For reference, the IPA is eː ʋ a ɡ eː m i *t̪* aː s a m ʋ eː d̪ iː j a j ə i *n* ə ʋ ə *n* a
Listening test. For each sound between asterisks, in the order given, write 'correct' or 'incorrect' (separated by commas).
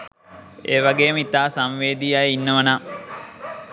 correct, incorrect, correct